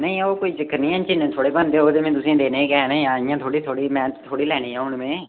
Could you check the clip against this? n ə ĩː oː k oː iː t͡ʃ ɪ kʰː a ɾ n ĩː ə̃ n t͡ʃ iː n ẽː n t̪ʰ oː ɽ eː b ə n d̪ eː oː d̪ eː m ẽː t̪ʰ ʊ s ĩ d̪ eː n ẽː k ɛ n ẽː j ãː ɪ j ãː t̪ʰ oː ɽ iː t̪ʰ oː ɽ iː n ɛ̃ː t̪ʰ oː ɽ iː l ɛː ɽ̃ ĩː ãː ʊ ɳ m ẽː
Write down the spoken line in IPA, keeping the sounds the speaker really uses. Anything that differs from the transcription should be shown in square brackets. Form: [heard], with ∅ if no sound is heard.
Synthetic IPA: n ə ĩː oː k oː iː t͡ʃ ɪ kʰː [ə] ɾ n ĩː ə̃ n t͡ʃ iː n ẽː [∅] t̪ʰ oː ɽ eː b ə n d̪ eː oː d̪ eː m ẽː [t̪] ʊ s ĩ d̪ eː n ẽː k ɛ n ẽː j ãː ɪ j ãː t̪ʰ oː ɽ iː t̪ʰ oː ɽ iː [m] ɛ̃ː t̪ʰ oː ɽ iː l ɛː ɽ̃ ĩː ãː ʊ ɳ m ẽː